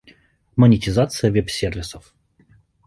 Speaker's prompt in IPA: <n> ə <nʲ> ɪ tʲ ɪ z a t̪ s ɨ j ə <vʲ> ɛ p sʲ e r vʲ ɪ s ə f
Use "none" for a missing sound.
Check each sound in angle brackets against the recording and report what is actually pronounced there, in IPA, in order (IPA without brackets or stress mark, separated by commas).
m, nʲ, vʲ